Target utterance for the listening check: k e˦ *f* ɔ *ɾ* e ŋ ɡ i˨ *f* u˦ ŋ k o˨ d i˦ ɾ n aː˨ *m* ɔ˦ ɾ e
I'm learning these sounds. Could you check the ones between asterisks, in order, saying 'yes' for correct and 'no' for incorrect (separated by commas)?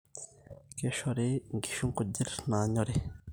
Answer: no, yes, no, no